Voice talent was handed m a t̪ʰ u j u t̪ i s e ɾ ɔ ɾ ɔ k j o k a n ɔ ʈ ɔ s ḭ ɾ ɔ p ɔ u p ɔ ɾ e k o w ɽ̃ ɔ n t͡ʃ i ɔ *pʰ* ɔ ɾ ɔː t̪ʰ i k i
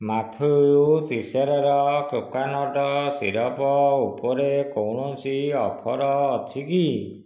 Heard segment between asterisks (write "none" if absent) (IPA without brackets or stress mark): pʰ